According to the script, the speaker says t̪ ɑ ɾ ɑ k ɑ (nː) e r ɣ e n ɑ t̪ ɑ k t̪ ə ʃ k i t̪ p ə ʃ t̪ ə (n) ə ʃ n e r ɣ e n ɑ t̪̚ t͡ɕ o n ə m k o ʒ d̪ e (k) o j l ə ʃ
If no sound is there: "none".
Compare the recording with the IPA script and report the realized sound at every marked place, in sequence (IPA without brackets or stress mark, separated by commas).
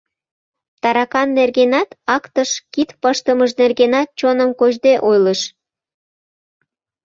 nː, m, ʔ